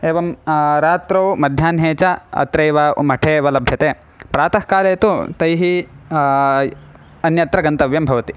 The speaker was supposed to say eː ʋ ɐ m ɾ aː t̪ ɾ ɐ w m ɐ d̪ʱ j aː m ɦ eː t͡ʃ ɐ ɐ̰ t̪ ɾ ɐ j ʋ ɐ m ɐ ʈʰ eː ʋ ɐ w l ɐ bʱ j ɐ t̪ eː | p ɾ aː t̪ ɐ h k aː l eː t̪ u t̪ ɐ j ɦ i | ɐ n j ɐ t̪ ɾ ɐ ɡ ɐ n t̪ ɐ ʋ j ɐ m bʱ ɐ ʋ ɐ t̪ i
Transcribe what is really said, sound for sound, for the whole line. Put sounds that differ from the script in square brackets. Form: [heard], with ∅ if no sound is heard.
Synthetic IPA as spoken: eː ʋ ɐ m ɾ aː t̪ ɾ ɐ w m ɐ d̪ʱ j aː [n] ɦ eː t͡ʃ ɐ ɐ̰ t̪ ɾ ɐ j ʋ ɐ m ɐ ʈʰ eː ʋ ɐ [∅] l ɐ bʱ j ɐ t̪ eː | p ɾ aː t̪ ɐ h k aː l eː t̪ u t̪ ɐ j ɦ i | ɐ n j ɐ t̪ ɾ ɐ ɡ ɐ n t̪ ɐ ʋ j ɐ m bʱ ɐ ʋ ɐ t̪ i